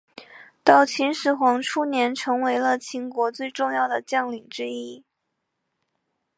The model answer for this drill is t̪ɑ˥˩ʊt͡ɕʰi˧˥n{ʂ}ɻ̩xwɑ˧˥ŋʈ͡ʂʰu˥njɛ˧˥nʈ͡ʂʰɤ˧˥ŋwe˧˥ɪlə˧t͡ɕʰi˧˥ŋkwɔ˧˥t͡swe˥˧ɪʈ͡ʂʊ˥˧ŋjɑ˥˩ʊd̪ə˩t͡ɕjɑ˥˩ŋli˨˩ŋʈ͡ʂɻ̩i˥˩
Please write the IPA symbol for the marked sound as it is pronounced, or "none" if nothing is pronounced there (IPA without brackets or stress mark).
ʂ